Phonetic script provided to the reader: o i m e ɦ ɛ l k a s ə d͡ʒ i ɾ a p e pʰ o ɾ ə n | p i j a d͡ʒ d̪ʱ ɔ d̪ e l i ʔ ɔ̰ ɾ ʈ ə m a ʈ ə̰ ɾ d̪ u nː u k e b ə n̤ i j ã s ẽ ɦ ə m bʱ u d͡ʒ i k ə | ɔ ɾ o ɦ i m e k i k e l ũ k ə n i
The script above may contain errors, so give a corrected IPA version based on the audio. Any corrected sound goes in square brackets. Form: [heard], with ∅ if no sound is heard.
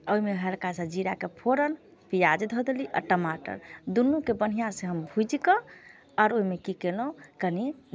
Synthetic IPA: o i m e ɦ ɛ l k a s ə d͡ʒ i ɾ a [k] e pʰ o ɾ ə n | p i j a d͡ʒ d̪ʱ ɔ d̪ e l i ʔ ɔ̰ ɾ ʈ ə m a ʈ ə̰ ɾ d̪ u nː u k e b ə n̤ i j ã s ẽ ɦ ə m bʱ u d͡ʒ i k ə | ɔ ɾ o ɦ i m e k i k e l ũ k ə n i